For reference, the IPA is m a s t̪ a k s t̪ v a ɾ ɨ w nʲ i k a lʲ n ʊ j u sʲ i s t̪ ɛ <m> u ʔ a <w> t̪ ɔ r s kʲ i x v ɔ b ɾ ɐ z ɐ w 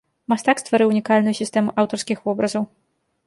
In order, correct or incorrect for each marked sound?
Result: correct, correct

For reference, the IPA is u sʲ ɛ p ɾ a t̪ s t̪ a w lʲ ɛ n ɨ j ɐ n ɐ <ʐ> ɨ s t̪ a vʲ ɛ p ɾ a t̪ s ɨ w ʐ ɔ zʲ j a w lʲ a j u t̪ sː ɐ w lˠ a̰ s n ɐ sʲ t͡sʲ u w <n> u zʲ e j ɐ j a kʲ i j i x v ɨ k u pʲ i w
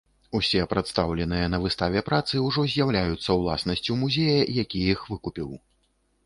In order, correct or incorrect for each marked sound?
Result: incorrect: v, incorrect: m

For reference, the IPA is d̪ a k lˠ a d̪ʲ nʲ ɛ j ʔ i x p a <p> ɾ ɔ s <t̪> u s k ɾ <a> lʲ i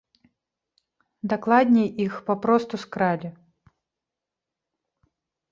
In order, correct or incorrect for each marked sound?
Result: correct, correct, correct

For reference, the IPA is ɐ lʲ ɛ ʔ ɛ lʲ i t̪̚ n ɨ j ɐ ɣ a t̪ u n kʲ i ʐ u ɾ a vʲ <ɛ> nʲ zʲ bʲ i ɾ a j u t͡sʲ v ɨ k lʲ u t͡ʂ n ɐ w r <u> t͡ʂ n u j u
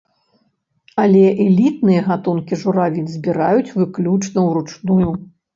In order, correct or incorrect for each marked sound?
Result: incorrect: i, correct

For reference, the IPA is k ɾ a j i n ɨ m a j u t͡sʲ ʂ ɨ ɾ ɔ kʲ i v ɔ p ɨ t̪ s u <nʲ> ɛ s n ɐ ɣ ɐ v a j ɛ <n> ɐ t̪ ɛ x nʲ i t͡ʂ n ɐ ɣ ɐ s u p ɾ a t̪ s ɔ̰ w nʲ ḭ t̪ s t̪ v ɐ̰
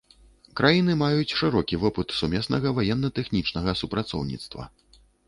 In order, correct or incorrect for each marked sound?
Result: incorrect: mʲ, incorrect: nː

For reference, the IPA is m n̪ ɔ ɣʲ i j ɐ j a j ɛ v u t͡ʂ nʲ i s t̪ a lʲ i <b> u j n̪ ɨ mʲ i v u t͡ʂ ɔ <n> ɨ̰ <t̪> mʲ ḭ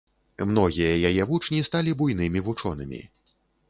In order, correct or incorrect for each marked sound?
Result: correct, correct, incorrect: none

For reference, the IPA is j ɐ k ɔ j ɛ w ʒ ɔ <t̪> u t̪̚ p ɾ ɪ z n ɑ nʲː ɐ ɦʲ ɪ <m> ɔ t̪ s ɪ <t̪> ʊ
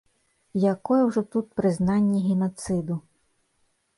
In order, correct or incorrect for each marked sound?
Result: correct, incorrect: n, incorrect: d̪

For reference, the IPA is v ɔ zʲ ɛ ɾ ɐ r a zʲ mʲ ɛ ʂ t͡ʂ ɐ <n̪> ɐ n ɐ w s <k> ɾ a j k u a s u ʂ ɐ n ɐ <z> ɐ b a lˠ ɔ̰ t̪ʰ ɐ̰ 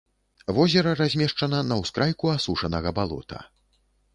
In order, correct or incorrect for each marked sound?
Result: correct, correct, incorrect: ɣ

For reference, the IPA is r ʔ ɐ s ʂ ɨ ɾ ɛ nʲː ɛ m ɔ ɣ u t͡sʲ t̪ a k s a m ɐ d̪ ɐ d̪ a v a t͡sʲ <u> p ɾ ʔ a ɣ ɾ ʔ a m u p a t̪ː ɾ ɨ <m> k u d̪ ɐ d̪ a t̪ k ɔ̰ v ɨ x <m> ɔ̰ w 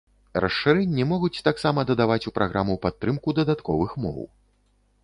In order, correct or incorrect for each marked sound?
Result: correct, correct, correct

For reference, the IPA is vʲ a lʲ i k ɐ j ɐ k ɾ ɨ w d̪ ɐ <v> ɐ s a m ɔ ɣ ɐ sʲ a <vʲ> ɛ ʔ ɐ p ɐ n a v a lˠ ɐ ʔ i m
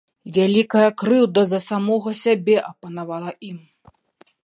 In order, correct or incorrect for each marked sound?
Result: incorrect: z, incorrect: bʲ

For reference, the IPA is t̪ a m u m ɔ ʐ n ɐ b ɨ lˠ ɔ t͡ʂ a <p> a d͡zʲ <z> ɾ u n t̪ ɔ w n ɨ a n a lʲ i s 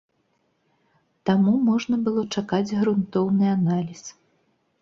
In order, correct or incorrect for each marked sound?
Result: incorrect: k, incorrect: ɣ

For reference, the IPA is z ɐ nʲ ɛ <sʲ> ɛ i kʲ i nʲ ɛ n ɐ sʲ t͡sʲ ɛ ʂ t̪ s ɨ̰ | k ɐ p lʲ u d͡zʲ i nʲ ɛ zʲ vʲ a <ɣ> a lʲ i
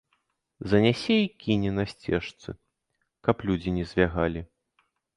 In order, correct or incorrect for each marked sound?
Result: correct, correct

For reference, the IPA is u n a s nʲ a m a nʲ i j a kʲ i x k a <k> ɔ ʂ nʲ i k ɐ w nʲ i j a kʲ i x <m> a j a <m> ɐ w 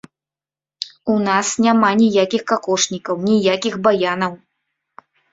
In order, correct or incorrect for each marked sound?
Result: correct, incorrect: b, incorrect: n

